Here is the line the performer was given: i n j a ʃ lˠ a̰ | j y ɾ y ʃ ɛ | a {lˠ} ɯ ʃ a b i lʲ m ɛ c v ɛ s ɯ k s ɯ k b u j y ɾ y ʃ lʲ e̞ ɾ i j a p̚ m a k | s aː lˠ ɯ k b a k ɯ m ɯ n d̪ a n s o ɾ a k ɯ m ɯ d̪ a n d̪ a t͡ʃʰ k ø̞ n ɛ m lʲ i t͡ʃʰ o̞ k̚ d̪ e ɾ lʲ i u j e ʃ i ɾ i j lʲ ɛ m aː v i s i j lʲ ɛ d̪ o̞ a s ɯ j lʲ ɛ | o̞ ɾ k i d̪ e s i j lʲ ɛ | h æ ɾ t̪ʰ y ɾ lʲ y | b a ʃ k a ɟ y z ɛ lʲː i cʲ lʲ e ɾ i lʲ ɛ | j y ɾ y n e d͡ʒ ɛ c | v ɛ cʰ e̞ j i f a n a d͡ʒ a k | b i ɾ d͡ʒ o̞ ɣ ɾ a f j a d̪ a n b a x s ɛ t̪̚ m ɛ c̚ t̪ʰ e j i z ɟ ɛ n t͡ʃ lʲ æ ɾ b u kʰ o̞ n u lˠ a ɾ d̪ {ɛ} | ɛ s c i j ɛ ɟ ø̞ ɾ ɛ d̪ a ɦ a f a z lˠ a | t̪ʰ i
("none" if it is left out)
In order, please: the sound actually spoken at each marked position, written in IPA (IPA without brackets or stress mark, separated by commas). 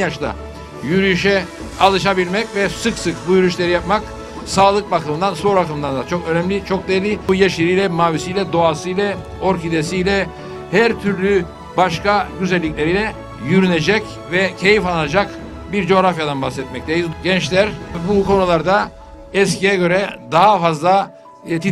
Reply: lˠ, a